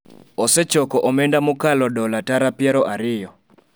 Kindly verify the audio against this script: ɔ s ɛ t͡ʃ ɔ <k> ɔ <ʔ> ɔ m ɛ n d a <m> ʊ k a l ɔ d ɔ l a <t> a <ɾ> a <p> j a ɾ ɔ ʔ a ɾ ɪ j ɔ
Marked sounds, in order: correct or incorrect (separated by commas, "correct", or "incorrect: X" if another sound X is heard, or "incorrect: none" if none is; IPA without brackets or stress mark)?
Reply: correct, correct, correct, correct, correct, correct